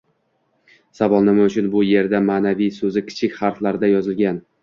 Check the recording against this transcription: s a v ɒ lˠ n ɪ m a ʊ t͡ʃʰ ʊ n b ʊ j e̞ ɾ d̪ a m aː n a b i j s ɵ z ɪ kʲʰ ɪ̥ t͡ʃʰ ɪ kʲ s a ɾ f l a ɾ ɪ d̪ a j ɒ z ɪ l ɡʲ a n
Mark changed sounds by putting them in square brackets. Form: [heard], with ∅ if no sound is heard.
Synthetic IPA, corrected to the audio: s a v ɒ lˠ n ɪ m a ʊ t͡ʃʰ ʊ n b ʊ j e̞ ɾ d̪ a m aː n a [v] i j s ɵ z ɪ kʲʰ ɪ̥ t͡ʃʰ ɪ kʲ [χ] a ɾ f l a ɾ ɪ d̪ a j ɒ z ɪ l ɡʲ a n